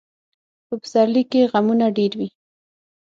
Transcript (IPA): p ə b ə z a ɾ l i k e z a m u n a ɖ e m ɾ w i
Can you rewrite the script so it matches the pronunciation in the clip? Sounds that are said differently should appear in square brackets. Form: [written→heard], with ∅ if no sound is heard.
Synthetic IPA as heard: p ə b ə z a ɾ l i k e [z→ɣ] a m u n a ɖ e [m→∅] ɾ w i